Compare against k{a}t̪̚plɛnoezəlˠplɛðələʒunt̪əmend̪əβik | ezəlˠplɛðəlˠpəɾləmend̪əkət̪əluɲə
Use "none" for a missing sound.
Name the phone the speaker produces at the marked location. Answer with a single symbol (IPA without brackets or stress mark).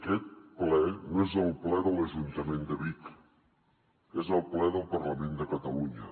ɛ